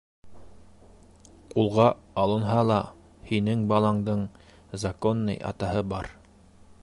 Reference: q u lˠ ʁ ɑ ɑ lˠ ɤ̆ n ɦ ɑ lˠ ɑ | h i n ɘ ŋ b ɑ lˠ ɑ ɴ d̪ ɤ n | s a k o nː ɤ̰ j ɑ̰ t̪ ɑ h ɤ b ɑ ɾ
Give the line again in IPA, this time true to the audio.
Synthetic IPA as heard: q u lˠ ʁ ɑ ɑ lˠ ɤ̆ n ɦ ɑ lˠ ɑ | h i n ɘ ŋ b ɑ lˠ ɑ ɴ d̪ ɤ ɴ | z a k o nː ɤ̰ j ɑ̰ t̪ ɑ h ɤ b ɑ ɾ